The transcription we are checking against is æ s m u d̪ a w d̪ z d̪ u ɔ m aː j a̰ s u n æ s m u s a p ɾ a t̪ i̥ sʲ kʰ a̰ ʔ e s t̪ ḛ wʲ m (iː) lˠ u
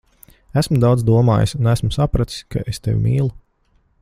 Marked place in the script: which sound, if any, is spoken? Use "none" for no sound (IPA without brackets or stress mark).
iː